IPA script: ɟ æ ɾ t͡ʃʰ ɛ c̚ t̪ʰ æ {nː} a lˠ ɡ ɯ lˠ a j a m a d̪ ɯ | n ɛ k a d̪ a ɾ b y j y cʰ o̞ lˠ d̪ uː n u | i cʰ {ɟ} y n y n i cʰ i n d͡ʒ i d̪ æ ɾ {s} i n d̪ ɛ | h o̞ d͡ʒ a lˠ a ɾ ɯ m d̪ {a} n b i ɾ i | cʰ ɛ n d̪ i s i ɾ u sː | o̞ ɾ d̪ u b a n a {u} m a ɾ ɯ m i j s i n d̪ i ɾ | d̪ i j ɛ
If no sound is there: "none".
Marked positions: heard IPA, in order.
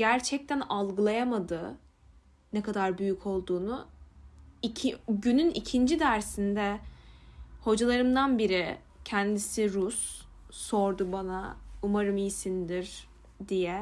n, ɟ, s, a, u

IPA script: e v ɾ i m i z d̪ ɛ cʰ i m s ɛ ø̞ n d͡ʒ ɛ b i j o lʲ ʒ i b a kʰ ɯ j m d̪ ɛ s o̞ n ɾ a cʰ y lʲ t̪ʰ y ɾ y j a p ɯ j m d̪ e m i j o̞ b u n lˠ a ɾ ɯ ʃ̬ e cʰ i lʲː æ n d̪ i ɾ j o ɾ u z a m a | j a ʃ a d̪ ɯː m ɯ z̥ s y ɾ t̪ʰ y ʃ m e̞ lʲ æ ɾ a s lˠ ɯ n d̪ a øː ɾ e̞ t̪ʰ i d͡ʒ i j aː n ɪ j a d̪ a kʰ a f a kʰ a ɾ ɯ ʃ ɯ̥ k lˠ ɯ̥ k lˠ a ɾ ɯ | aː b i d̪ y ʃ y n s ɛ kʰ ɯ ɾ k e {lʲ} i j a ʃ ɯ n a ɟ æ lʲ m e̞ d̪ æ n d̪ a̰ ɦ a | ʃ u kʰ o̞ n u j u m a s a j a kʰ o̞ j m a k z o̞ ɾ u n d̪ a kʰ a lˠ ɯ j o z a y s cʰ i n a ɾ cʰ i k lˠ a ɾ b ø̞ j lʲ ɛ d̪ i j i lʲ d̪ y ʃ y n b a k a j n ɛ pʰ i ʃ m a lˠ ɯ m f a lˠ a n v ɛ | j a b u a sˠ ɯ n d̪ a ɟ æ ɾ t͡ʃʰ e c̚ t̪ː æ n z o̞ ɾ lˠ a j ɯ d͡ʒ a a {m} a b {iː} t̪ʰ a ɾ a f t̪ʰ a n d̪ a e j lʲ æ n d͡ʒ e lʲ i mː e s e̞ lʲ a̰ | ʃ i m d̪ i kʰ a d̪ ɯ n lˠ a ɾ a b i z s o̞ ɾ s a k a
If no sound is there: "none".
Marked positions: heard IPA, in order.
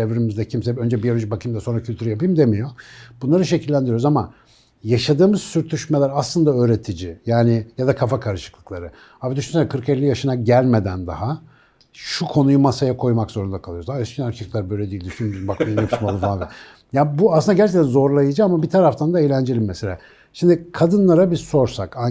lʲː, m, i

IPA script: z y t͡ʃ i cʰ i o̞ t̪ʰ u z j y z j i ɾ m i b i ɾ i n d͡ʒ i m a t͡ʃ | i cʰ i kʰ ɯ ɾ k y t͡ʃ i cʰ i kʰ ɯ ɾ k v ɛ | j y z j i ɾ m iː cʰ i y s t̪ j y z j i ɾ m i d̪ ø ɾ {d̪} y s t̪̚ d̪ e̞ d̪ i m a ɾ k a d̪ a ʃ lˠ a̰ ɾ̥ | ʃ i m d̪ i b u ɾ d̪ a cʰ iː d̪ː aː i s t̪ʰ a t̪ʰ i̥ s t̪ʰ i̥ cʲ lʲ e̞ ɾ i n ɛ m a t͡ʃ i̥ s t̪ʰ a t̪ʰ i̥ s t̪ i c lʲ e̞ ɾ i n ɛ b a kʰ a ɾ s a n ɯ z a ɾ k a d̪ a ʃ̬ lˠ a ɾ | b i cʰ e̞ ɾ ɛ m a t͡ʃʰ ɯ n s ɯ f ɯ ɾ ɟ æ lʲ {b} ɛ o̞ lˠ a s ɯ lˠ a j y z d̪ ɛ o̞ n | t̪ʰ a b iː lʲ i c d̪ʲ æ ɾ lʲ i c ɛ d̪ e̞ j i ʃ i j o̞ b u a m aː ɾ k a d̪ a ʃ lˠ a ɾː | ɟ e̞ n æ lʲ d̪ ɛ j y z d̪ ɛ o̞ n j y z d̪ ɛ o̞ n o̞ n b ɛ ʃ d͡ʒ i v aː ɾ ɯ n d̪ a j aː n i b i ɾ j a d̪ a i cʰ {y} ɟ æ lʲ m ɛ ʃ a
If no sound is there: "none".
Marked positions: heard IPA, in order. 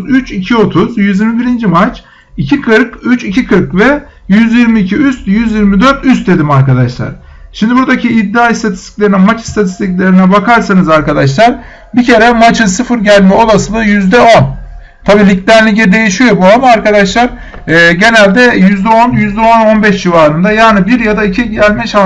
t̪, m, i

